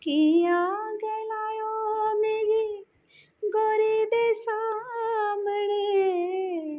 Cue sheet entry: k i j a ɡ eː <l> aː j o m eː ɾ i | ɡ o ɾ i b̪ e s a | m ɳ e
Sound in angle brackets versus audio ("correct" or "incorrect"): correct